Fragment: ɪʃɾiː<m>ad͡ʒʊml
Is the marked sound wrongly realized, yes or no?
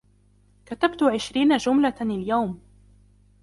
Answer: yes